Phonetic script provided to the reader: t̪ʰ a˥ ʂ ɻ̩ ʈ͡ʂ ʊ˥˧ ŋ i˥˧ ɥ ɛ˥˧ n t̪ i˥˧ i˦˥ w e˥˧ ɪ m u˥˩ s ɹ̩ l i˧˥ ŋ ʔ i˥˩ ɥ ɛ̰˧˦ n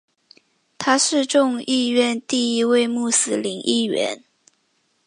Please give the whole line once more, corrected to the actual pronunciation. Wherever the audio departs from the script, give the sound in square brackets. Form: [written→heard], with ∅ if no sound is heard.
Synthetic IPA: t̪ʰ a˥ ʂ ɻ̩ ʈ͡ʂ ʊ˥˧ ŋ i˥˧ ɥ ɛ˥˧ n t̪ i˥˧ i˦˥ w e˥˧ ɪ m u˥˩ s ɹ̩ l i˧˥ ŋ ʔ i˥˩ ɥ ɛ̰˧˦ n

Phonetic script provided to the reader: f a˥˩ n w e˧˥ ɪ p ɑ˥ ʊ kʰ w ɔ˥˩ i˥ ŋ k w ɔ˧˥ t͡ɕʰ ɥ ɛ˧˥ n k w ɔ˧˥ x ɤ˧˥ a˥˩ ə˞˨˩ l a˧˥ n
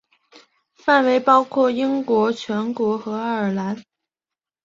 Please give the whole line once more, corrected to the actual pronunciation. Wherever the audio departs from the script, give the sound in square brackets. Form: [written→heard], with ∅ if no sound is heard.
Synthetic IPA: f a˥˩ n w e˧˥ ɪ p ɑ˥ ʊ kʰ w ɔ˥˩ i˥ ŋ k w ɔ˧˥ t͡ɕʰ ɥ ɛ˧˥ n k w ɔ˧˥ x ɤ˧˥ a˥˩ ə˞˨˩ l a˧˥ n

